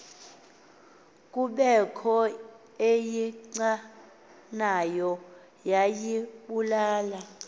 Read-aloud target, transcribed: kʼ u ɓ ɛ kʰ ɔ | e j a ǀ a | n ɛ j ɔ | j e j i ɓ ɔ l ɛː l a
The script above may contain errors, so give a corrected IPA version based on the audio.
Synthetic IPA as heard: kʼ u ɓ ɛ kʰ ɔ | e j i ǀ a | n a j ɔ | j a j i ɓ u l aː l a